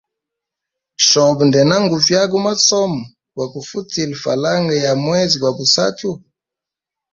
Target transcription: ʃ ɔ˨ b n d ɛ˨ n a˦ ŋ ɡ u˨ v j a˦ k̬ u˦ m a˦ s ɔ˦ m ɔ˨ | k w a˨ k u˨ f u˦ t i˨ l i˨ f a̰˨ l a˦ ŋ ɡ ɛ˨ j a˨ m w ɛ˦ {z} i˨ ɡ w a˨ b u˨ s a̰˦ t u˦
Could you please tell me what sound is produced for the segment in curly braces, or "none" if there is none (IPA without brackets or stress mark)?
z